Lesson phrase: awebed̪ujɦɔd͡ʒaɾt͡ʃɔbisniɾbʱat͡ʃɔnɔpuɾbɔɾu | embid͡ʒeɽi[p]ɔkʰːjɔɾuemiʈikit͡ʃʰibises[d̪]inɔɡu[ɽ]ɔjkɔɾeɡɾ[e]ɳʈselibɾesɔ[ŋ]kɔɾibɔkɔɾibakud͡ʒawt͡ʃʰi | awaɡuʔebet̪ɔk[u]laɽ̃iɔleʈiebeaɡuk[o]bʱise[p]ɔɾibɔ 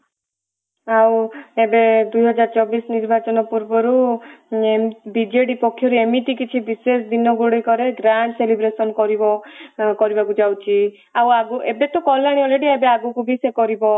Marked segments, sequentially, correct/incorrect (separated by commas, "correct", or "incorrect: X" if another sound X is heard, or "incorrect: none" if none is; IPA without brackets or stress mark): correct, correct, correct, incorrect: a, incorrect: n, incorrect: ɔ, incorrect: u, incorrect: k